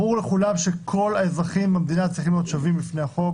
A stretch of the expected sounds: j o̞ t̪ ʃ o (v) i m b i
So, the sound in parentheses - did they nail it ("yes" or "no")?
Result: yes